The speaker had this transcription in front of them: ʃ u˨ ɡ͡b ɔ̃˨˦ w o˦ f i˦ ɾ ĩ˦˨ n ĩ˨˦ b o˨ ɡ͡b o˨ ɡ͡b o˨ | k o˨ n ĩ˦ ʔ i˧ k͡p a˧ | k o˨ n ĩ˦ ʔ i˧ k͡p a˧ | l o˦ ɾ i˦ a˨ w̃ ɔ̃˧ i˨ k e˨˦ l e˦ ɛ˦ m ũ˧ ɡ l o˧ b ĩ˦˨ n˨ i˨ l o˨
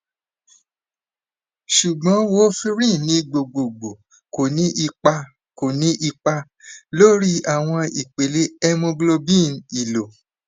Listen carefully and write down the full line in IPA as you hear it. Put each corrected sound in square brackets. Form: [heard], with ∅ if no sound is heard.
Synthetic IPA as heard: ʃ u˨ ɡ͡b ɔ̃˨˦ w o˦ f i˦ ɾ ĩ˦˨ n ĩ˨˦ [ɡ͡b] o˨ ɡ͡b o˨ ɡ͡b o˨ | k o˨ n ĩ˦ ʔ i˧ k͡p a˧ | k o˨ n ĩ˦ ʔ i˧ k͡p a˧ | l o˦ ɾ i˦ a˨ w̃ ɔ̃˧ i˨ [k͡p] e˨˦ l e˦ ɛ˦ m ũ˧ ɡ l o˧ b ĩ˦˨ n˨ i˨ l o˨